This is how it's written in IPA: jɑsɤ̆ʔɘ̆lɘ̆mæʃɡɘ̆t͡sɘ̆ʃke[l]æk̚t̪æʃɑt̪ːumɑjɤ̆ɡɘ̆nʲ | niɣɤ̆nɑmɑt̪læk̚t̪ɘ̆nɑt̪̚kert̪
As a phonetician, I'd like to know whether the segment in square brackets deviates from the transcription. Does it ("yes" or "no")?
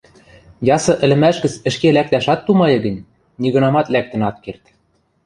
no